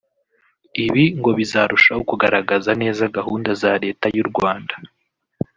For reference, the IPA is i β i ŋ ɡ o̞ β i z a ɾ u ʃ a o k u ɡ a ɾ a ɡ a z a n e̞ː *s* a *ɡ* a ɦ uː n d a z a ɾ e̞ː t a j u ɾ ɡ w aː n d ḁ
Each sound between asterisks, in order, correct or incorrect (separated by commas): incorrect, correct